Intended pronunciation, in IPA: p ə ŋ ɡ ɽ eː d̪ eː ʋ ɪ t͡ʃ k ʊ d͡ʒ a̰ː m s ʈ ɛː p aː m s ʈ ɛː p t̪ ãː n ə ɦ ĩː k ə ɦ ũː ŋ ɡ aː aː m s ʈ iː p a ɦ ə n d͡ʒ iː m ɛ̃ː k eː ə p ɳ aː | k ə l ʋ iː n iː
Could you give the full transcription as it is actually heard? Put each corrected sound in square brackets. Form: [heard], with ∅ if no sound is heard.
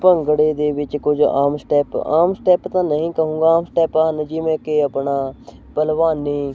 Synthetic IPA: p ə ŋ ɡ ɽ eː d̪ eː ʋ ɪ t͡ʃ k ʊ d͡ʒ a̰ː m s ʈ ɛː p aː m s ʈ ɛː p t̪ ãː n ə ɦ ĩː k ə ɦ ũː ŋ ɡ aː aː m s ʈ [ɛː] p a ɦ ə n d͡ʒ iː m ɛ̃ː k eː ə p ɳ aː | [p] ə l ʋ [aː] n iː